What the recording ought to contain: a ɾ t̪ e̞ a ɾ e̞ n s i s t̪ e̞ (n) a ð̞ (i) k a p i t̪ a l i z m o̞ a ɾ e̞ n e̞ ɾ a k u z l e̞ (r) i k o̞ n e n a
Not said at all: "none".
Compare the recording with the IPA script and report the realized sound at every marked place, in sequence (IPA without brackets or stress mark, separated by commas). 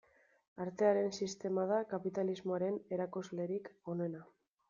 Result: m, a, ɾ